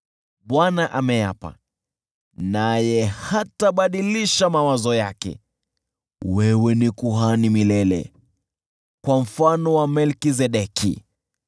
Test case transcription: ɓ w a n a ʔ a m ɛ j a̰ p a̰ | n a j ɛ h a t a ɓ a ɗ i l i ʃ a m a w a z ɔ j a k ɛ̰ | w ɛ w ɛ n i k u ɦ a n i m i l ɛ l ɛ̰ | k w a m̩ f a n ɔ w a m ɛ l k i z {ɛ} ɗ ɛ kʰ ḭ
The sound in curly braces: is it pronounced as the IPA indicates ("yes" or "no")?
yes